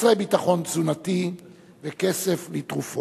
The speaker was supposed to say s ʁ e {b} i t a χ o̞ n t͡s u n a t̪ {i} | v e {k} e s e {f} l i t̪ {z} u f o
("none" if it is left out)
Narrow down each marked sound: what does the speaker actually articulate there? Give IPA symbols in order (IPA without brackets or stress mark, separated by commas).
b, i, k, f, ʁ